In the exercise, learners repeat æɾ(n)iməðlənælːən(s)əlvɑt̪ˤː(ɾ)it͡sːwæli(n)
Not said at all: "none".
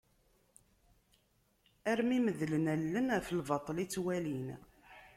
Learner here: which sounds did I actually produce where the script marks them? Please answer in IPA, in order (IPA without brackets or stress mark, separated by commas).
m, f, l, n